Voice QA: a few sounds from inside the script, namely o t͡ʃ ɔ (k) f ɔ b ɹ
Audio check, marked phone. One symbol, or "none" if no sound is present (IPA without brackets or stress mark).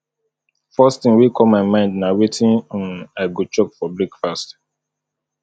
k